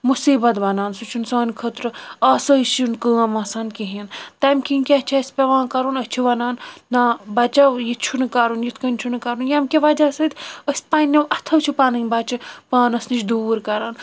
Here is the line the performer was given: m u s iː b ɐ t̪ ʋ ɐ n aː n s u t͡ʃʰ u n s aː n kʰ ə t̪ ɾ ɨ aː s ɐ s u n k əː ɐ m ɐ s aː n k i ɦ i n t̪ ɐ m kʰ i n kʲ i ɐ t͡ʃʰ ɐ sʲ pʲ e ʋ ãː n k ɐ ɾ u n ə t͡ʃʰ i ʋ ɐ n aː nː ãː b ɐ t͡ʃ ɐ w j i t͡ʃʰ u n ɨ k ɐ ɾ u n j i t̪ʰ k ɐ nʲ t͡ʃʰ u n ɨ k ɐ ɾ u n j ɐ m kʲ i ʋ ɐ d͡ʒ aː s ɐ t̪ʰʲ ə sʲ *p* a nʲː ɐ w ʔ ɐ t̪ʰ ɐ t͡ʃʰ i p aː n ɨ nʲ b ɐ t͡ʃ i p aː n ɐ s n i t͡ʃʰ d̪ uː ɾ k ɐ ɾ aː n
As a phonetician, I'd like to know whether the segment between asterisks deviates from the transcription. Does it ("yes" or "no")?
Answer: no